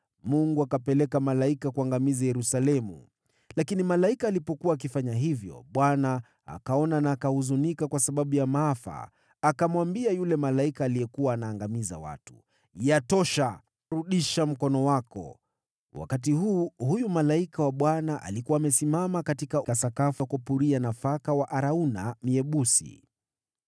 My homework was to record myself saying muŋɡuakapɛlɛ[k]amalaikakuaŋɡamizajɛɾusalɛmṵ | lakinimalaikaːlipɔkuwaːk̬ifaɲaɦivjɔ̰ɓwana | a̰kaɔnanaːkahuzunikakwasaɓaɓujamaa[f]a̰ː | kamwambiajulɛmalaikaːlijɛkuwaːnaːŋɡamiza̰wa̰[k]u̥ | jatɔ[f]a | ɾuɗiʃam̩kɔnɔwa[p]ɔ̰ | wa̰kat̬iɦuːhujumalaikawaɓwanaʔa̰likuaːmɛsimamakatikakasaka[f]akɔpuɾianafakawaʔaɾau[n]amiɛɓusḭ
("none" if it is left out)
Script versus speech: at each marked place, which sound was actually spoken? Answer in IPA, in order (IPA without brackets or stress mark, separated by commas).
k, f, t, ʃ, k, f, n